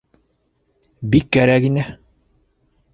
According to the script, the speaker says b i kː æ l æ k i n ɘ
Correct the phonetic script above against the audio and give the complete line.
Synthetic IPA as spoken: b i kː æ ɾ æ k i n ɘ

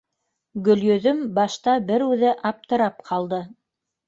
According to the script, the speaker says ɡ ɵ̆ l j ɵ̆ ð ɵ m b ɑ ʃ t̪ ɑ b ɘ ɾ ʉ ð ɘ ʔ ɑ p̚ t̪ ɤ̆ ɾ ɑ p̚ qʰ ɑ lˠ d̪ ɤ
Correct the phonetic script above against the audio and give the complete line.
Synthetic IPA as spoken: ɡ ɵ̆ l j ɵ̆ ð ɵ m b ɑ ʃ t̪ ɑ b ɘ ɾ ʉ ð ɘ ʔ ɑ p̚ t̪ ɤ̆ ɾ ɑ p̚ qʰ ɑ lˠ d̪ ɤ

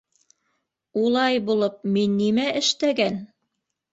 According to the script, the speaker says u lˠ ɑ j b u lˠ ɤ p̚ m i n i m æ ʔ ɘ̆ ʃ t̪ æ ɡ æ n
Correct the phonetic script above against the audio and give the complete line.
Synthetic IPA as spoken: u lˠ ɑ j b u lˠ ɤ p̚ m i nː i m æ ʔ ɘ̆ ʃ t̪ æ ɡ æ n

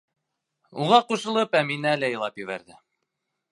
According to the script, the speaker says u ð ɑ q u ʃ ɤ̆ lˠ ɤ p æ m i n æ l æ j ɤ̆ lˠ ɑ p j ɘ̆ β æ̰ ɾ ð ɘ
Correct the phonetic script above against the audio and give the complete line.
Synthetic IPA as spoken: u ʁ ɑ q u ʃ ɤ̆ lˠ ɤ p æ m i n æ l æ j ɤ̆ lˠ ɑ p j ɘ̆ β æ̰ ɾ ð ɘ

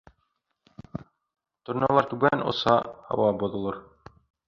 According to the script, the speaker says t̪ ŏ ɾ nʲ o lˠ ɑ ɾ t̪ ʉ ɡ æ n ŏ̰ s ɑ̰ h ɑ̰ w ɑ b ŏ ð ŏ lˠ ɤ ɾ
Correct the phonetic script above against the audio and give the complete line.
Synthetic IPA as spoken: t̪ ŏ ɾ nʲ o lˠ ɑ ɾ t̪ ʉ ɡ æ n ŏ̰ s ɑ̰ h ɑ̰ w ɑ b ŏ ð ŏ lˠ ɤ ɾ

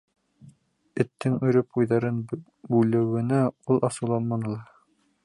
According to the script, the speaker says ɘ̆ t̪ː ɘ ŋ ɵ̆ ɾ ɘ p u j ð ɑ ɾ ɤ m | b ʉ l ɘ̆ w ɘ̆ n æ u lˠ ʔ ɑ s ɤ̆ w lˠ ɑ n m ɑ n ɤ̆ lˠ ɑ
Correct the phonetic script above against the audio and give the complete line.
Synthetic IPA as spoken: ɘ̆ t̪ː ɘ ŋ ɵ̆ ɾ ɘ p u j ð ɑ ɾ ɤ n | b ʉ l ɘ̆ w ɘ̆ n æ u lˠ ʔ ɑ s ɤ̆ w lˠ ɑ n m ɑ n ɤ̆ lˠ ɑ

